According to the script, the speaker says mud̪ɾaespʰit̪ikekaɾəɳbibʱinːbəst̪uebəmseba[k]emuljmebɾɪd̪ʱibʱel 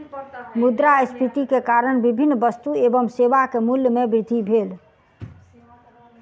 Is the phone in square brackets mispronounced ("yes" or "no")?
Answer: no